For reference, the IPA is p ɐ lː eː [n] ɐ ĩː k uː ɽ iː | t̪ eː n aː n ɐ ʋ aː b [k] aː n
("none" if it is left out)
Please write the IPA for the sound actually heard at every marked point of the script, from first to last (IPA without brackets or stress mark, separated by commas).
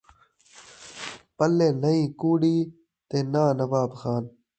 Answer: n, x